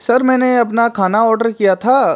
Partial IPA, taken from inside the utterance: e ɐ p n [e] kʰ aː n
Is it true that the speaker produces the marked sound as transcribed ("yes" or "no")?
no